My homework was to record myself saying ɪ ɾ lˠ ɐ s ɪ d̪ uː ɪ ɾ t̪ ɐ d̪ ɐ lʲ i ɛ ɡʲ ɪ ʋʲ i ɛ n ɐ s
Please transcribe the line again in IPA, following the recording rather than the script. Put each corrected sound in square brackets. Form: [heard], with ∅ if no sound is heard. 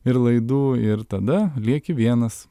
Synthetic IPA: ɪ ɾ lˠ ɐ [∅] ɪ d̪ uː ɪ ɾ t̪ ɐ d̪ ɐ lʲ i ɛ [kʲ] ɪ ʋʲ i ɛ n ɐ s

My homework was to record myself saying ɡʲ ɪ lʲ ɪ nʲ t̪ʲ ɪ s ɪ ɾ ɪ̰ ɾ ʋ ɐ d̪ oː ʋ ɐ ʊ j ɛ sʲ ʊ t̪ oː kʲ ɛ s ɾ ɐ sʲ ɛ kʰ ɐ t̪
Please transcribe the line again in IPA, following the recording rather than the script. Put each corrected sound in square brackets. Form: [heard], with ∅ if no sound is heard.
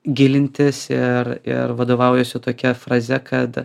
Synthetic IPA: ɡʲ ɪ lʲ ɪ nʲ t̪ʲ ɪ s ɪ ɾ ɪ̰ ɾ ʋ ɐ d̪ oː ʋ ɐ ʊ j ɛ sʲ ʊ t̪ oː kʲ ɛ [f] ɾ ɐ [zʲ] ɛ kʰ ɐ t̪

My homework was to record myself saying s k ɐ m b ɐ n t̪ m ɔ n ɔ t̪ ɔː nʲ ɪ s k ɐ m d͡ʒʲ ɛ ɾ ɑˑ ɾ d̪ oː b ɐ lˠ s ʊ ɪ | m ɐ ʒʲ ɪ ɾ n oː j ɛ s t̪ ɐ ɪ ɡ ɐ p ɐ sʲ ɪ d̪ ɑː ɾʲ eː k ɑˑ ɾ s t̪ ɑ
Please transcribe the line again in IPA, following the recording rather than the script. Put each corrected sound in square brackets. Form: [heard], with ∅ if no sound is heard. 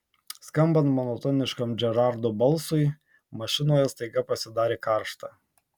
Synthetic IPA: s k ɐ m b ɐ n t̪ m ɔ n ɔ t̪ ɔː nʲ ɪ [ʃ] k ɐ m d͡ʒʲ ɛ ɾ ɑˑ ɾ d̪ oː b ɐ lˠ s ʊ ɪ | m ɐ [ʃʲ] ɪ [∅] n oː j ɛ s t̪ ɐ ɪ ɡ ɐ p ɐ sʲ ɪ d̪ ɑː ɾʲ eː k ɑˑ ɾ [ʃ] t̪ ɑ

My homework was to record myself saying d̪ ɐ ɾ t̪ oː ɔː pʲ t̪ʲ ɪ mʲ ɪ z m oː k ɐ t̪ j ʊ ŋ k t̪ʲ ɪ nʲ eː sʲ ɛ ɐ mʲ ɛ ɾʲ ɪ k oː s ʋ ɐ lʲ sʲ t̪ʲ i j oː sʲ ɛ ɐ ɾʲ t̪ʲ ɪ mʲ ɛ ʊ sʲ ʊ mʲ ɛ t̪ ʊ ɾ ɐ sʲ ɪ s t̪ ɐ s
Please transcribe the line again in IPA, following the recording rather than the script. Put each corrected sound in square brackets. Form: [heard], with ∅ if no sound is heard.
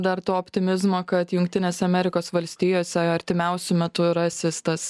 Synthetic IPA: d̪ ɐ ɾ t̪ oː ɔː pʲ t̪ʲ ɪ mʲ ɪ z m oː k ɐ t̪ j ʊ ŋ k t̪ʲ ɪ nʲ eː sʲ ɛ ɐ mʲ ɛ ɾʲ ɪ k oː s ʋ ɐ lʲ sʲ t̪ʲ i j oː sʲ ɛ ɐ ɾʲ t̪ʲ ɪ mʲ ɛ ʊ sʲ ʊ mʲ ɛ t̪ ʊ ɾ ɐ sʲ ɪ s t̪ ɐ s

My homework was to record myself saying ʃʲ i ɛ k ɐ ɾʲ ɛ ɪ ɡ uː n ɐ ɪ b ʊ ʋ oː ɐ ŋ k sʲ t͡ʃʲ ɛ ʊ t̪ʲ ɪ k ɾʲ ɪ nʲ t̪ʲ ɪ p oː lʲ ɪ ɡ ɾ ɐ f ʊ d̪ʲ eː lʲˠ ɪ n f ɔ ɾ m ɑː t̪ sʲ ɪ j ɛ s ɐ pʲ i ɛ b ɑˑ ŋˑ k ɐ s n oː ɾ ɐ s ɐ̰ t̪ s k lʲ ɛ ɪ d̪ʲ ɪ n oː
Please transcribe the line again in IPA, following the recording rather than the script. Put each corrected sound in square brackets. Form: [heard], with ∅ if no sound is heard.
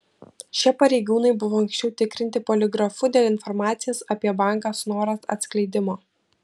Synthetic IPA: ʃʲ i ɛ [p] ɐ ɾʲ ɛ ɪ ɡ uː n ɐ ɪ b ʊ ʋ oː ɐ ŋ k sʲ t͡ʃʲ ɛ ʊ t̪ʲ ɪ k ɾʲ ɪ nʲ t̪ʲ ɪ p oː lʲ ɪ ɡ ɾ ɐ f ʊ d̪ʲ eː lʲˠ ɪ n f ɔ ɾ m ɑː t̪ sʲ ɪ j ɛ s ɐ pʲ i ɛ b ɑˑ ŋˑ k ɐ s n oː ɾ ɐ s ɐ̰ t̪ s k lʲ ɛ ɪ d̪ʲ ɪ [m] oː

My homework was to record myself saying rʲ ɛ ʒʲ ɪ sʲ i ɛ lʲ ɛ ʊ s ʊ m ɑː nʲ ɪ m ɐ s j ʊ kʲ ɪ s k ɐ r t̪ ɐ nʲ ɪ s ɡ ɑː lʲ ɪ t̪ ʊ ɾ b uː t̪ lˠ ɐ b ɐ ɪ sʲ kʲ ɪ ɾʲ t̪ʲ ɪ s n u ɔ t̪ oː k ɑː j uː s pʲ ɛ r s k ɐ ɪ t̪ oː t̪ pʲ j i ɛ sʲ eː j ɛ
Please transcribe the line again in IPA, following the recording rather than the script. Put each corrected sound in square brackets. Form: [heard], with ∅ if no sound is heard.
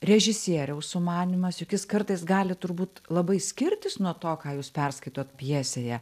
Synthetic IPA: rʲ ɛ ʒʲ ɪ sʲ i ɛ [ɾʲ] ɛ ʊ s ʊ m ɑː nʲ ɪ m ɐ s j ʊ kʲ ɪ s k ɐ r t̪ ɐ [∅] ɪ s ɡ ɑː lʲ ɪ t̪ ʊ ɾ b uː t̪ lˠ ɐ b ɐ ɪ sʲ kʲ ɪ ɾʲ t̪ʲ ɪ s n u ɔ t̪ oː k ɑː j uː s pʲ ɛ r s k ɐ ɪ t̪ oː t̪ pʲ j i ɛ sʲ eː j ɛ

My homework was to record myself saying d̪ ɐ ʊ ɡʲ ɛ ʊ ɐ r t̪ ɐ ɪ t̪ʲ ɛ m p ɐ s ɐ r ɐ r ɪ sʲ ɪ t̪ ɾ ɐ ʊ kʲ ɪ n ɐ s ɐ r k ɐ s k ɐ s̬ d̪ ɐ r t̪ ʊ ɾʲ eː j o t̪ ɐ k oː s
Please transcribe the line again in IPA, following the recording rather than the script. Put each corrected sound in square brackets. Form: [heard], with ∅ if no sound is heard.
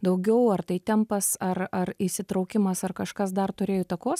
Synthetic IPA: d̪ ɐ ʊ ɡʲ ɛ ʊ ɐ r t̪ ɐ ɪ t̪ʲ ɛ m p ɐ s ɐ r ɐ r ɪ sʲ ɪ t̪ ɾ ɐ ʊ kʲ ɪ [m] ɐ s ɐ r k ɐ [ʃ] k ɐ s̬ d̪ ɐ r t̪ ʊ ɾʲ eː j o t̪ ɐ k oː s

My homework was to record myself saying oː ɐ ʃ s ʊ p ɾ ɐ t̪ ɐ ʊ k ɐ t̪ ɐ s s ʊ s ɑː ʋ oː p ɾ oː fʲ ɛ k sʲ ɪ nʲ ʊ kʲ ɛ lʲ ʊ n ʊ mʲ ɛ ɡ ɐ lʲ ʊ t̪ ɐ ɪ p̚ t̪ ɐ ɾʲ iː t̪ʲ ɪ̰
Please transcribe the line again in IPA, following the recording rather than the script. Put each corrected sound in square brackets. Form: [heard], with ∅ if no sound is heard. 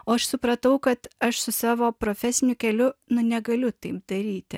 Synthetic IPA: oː ɐ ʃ s ʊ p ɾ ɐ t̪ ɐ ʊ k ɐ t̪ ɐ [ʃ] s ʊ s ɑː ʋ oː p ɾ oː fʲ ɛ [∅] sʲ ɪ nʲ ʊ kʲ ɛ lʲ ʊ n ʊ [nʲ] ɛ ɡ ɐ lʲ ʊ t̪ ɐ ɪ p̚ [d̪] ɐ ɾʲ iː t̪ʲ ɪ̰

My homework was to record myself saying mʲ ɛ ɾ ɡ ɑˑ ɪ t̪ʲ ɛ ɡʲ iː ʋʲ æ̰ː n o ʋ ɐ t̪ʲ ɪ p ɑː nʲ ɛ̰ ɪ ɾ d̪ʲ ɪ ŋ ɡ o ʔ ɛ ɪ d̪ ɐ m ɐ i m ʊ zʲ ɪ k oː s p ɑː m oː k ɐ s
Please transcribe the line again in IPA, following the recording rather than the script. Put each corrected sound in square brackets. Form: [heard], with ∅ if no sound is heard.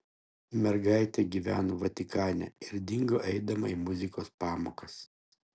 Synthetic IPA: mʲ ɛ ɾ ɡ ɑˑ ɪ t̪ʲ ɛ ɡʲ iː ʋʲ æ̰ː n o ʋ ɐ t̪ʲ ɪ [k] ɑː nʲ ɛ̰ ɪ ɾ d̪ʲ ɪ ŋ ɡ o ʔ ɛ ɪ d̪ ɐ m ɐ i m ʊ zʲ ɪ k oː s p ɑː m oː k ɐ s

